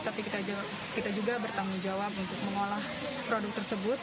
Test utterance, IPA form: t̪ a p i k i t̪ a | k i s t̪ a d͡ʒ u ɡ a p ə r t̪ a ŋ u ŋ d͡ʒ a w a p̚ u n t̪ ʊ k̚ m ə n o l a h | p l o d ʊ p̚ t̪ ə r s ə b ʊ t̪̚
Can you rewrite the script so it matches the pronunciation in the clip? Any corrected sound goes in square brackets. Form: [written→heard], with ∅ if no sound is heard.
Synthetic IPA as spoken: t̪ a p i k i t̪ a | k i [s→∅] t̪ a d͡ʒ u ɡ a [p→b] ə r t̪ a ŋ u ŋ d͡ʒ a w a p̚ u n t̪ ʊ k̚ m ə [n→ŋ] o l a h | p [l→ɾ] o d ʊ [p̚→k̚] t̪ ə r s ə b ʊ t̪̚